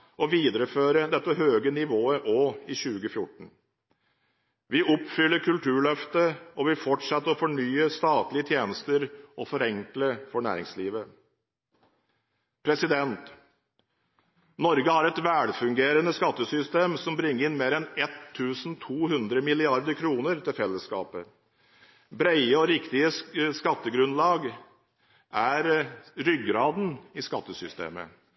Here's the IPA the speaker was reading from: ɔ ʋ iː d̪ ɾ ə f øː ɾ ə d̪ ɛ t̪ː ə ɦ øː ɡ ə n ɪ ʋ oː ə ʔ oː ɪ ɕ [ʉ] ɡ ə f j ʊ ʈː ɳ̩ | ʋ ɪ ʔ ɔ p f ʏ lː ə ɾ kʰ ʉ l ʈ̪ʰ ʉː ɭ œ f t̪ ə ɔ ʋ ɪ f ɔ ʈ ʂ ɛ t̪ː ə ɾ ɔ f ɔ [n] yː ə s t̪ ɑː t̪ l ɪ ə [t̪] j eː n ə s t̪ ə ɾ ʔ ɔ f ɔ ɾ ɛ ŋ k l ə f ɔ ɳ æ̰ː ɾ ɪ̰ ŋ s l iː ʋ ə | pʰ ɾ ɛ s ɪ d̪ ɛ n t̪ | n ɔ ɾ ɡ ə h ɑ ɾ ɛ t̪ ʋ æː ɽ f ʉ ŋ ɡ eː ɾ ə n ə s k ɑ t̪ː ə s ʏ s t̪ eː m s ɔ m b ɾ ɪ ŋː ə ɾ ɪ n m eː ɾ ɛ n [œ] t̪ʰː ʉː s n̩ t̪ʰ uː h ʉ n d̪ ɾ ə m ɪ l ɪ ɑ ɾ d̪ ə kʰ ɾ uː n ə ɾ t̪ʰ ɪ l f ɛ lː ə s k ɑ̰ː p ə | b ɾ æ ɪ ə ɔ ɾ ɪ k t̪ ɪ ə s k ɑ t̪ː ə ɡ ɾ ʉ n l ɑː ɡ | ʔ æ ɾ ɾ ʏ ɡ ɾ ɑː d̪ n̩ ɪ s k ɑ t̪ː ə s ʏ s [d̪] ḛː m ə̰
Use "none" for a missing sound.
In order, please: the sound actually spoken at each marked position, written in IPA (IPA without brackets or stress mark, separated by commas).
ʉː, ɳ, t̪ʰ, ɛ, t̪